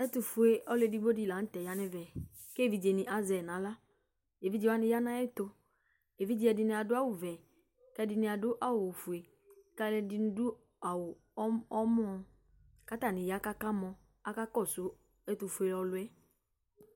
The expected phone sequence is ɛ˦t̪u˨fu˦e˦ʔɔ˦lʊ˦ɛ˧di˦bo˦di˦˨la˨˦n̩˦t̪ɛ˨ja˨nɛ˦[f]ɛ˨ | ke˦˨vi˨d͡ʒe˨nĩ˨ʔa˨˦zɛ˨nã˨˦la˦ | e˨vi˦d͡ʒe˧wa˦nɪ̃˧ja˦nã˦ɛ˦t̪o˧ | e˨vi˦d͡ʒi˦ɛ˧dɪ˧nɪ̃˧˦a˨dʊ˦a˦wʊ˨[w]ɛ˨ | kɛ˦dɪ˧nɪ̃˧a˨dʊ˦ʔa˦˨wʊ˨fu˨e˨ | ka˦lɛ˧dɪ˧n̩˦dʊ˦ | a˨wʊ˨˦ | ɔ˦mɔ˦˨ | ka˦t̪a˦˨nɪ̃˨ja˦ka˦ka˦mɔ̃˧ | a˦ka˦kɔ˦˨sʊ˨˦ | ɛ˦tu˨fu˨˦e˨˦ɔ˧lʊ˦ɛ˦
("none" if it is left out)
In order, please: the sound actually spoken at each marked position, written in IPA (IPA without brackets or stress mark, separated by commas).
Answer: v, v